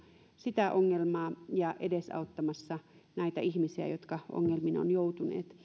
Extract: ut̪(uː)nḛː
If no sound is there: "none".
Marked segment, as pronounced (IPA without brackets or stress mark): u